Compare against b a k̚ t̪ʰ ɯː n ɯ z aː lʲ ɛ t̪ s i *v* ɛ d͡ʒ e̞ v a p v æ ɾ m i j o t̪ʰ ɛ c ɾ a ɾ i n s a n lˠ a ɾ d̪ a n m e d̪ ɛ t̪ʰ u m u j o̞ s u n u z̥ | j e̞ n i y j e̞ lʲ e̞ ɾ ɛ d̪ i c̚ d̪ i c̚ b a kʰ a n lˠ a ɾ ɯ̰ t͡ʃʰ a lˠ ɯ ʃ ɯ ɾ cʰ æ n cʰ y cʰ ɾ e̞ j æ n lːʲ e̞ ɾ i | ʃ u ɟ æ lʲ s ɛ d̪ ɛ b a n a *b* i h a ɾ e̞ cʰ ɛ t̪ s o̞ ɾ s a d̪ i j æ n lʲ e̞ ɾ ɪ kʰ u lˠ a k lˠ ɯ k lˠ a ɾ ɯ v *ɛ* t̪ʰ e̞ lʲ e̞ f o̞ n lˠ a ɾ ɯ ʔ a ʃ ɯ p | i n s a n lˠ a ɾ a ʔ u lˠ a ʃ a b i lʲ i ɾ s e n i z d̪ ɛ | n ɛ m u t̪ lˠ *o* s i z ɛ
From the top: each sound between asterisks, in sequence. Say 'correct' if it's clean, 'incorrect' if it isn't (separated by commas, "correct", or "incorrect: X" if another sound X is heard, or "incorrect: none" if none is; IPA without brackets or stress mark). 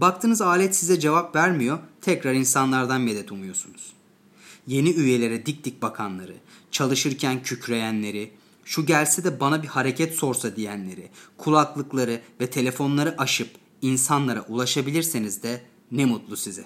incorrect: z, correct, correct, incorrect: u